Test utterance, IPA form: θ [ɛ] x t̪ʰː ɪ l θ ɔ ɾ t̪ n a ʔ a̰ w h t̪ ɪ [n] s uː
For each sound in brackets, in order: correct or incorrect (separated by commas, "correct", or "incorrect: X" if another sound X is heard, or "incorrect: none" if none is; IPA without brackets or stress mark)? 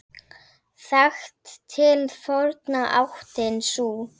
incorrect: a, correct